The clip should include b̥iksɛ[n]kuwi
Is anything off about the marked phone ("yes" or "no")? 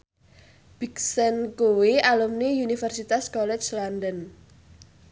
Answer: no